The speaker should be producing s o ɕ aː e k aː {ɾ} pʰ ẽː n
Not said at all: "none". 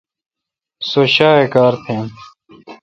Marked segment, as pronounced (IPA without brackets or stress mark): ɾ